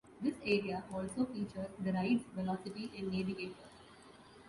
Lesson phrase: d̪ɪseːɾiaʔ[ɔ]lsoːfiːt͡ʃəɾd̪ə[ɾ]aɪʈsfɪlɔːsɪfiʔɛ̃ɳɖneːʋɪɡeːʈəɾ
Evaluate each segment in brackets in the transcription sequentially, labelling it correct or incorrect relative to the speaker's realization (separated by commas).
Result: incorrect, correct